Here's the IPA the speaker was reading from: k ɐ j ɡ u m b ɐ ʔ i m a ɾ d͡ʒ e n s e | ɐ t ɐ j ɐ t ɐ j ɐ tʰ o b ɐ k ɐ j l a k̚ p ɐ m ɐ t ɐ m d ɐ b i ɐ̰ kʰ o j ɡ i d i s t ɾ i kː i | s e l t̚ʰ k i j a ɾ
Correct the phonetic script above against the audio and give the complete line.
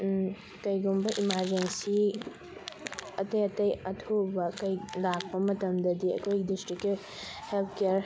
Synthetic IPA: k ɐ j ɡ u m b ɐ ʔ i m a ɾ d͡ʒ e n s i | ɐ t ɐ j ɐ t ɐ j ɐ tʰ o b ɐ k ɐ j l a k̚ p ɐ m ɐ t ɐ m d ɐ d i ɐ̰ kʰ o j ɡ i d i s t ɾ i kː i | h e l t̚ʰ k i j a ɾ